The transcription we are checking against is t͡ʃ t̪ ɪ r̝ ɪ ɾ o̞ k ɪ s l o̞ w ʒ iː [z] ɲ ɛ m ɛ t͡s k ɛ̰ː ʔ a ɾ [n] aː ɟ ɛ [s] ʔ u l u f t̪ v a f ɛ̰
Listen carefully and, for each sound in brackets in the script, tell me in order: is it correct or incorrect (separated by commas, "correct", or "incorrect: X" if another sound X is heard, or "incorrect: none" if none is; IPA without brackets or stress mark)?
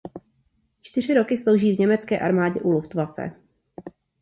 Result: incorrect: v, incorrect: m, incorrect: none